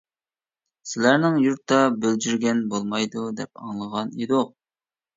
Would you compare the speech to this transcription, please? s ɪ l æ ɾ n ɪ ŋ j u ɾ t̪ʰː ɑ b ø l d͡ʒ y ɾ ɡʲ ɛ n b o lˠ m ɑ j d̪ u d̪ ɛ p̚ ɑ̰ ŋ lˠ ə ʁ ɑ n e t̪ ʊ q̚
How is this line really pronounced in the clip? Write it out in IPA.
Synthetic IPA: s ɪ l æ ɾ n ɪ ŋ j u ɾ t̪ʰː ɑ b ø l d͡ʒ y ɾ ɡʲ ɛ n b o lˠ m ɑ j d̪ u d̪ ɛ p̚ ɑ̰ ŋ lˠ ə ʁ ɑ n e d̪ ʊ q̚